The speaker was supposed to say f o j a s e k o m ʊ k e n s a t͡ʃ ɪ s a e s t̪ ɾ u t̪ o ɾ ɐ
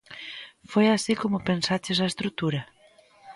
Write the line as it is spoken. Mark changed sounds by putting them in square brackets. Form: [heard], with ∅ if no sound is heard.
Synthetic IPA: f o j a s [i] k o m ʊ [p] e n s a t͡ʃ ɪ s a e s t̪ ɾ u t̪ [u] ɾ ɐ